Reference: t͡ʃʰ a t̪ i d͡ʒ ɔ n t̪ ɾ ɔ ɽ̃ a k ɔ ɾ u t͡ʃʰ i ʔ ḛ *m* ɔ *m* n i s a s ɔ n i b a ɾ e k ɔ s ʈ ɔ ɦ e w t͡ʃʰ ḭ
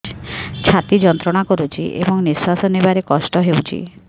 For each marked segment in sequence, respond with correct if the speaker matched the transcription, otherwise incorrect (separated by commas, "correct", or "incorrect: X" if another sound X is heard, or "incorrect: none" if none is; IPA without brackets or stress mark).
incorrect: b, incorrect: ŋ